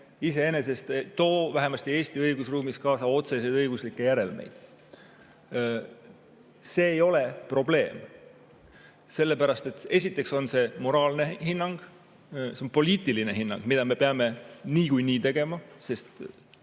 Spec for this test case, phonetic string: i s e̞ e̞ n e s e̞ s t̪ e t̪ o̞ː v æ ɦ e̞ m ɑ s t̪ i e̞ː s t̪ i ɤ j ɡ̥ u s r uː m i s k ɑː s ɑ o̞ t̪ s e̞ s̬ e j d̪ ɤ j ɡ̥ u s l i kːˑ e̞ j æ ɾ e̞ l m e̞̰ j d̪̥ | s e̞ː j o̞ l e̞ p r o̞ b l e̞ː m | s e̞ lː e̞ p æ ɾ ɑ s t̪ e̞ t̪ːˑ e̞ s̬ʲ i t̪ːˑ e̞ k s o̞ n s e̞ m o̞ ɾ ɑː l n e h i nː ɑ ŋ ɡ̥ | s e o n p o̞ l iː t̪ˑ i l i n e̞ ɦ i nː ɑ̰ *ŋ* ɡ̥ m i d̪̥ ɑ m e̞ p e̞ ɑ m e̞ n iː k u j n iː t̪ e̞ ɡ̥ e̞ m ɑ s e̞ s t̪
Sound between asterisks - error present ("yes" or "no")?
no